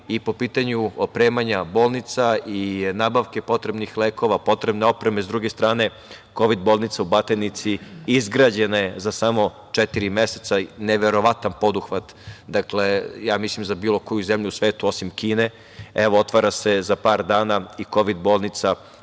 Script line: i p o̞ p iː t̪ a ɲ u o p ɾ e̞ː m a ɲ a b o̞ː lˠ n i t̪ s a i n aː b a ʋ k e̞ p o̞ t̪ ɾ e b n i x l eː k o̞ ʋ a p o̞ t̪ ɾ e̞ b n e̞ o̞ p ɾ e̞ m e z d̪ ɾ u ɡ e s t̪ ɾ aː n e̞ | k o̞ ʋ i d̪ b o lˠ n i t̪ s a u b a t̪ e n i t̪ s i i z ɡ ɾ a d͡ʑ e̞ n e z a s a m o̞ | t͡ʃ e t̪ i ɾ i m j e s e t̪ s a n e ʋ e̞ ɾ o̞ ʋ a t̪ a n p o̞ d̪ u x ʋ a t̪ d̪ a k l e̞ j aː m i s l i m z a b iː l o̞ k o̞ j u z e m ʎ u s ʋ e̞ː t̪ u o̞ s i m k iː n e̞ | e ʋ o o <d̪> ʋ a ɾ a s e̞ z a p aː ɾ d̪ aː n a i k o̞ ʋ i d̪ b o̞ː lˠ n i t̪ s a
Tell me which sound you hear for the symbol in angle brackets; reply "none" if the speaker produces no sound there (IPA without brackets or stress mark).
t̪